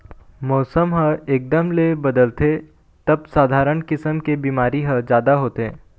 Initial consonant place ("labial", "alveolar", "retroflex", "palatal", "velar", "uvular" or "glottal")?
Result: labial